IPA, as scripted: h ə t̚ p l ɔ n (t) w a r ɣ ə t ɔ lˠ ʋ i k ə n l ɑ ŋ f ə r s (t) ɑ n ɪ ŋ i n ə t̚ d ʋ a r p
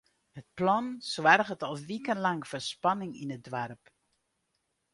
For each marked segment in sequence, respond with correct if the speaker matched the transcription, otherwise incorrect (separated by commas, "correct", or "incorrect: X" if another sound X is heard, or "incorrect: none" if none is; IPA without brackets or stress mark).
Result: incorrect: s, incorrect: p